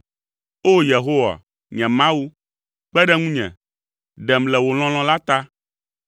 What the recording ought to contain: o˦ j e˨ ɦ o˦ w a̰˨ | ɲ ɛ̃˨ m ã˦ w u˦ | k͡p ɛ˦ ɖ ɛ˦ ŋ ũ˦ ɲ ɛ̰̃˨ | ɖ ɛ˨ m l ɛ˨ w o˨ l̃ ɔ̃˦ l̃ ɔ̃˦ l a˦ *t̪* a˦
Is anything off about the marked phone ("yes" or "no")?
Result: no